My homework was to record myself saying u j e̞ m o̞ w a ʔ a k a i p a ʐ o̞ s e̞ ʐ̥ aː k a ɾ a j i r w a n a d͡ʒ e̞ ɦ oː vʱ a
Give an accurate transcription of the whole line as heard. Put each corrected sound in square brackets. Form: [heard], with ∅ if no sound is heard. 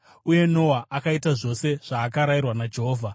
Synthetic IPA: u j e̞ [n] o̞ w a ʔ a k a i [t] a ʐ o̞ s e̞ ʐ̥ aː k a ɾ a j i r w a n a d͡ʒ e̞ ɦ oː vʱ a